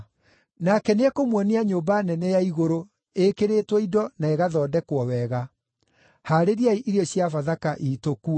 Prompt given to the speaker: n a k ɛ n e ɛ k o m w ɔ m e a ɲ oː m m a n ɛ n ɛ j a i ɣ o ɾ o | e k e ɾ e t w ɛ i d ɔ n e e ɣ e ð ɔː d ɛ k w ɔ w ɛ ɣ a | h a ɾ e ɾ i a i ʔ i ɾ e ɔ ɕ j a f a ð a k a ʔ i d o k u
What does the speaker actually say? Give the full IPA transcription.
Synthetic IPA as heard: n a k ɛ n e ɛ k o m w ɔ n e a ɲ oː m b a n ɛ n ɛ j a i ɣ o ɾ o | e k e ɾ e t w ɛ i d ɔ n a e ɣ a ð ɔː d ɛ k w ɔ w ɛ ɣ a | h a ɾ e ɾ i a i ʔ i ɾ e ɔ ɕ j a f a ð a k a ʔ i t o k u